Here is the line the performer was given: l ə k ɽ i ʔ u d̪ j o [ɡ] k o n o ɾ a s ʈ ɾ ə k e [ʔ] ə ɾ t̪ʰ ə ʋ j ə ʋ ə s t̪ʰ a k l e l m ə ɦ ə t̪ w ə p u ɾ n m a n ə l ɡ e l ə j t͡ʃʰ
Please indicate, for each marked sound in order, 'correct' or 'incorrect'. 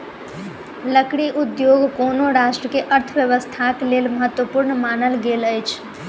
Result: correct, correct

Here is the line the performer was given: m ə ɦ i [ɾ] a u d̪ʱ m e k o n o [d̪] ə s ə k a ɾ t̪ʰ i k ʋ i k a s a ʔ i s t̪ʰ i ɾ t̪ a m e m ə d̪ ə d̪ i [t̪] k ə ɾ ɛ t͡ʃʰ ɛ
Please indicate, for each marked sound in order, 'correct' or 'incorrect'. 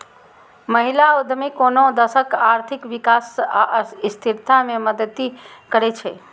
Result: incorrect: l, correct, incorrect: none

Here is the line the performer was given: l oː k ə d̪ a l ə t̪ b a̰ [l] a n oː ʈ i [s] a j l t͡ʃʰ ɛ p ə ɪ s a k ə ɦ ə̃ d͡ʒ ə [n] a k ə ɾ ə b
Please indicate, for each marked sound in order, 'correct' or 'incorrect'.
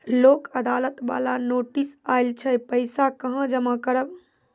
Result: correct, correct, incorrect: m

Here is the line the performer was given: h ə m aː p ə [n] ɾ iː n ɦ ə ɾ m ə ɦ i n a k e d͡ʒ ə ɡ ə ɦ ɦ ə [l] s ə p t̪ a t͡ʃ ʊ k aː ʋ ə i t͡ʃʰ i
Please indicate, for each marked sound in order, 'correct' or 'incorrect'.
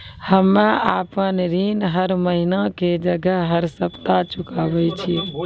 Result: correct, incorrect: ɾ

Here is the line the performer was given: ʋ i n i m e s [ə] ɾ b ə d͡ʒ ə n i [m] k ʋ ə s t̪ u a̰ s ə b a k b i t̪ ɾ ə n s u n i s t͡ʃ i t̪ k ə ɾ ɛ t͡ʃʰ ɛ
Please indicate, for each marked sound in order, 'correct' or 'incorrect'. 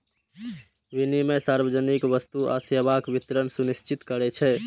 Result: incorrect: a, incorrect: none

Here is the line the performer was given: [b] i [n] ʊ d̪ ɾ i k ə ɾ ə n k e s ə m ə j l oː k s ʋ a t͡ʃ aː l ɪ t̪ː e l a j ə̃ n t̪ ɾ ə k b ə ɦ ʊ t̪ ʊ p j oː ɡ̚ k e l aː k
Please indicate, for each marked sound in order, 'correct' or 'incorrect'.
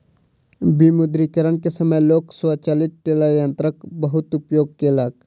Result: correct, incorrect: m

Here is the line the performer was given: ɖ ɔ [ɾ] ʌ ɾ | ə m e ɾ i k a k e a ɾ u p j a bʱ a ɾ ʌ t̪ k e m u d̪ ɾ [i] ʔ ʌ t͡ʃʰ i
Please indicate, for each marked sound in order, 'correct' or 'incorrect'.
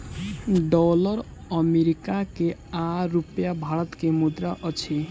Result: incorrect: l, incorrect: a

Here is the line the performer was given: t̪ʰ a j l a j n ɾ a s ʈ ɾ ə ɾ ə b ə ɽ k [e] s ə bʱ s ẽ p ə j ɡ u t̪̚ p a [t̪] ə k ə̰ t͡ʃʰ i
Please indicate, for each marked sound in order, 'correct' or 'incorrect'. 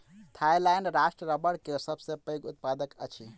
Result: correct, incorrect: d̪

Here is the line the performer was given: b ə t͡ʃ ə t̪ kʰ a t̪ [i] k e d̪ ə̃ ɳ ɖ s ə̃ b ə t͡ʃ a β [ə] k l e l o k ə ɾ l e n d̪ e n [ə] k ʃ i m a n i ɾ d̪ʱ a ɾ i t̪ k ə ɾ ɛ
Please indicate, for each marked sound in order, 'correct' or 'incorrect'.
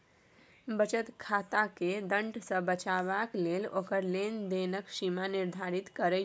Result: incorrect: a, incorrect: a, correct

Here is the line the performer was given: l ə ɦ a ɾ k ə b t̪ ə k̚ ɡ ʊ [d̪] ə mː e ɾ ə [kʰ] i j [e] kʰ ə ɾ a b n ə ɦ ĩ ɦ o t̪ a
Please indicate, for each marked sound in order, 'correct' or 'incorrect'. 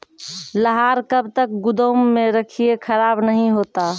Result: correct, correct, correct

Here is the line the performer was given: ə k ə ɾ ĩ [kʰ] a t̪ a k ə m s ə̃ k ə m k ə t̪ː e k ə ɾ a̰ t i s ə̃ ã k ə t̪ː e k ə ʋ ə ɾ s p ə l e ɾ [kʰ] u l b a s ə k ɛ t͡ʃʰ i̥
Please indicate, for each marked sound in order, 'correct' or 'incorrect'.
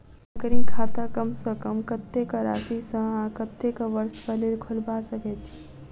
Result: correct, correct

